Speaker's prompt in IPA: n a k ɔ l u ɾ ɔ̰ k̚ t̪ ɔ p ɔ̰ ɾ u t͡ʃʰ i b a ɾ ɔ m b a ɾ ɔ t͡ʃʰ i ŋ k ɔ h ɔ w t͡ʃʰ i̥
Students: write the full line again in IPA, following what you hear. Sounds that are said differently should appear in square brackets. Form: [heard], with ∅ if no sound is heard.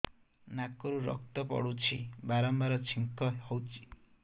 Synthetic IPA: n a k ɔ [ɾ] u ɾ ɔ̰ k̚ t̪ ɔ p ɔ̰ [ɽ] u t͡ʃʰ i b a ɾ ɔ m b a ɾ ɔ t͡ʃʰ i ŋ k ɔ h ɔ w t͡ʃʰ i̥